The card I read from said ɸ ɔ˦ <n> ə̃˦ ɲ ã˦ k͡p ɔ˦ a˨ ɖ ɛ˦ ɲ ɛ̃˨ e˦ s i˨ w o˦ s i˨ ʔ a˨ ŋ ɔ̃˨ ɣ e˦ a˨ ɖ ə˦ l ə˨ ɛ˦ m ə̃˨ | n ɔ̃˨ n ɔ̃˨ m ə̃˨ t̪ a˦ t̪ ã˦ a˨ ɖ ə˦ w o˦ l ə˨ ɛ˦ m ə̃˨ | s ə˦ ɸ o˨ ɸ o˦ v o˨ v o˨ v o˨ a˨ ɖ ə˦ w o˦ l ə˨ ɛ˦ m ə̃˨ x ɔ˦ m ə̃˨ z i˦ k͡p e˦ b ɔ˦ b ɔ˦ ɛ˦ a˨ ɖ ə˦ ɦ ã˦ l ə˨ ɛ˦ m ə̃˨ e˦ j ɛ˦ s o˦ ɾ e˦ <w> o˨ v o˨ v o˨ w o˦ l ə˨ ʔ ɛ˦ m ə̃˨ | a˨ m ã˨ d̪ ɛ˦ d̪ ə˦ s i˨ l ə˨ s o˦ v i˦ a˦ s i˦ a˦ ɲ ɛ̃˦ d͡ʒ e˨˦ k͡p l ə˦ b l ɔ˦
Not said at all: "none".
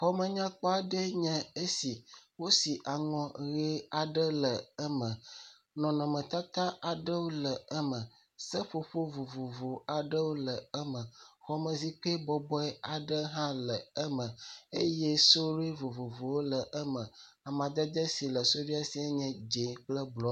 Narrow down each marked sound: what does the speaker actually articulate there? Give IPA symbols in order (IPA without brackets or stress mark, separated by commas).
m, v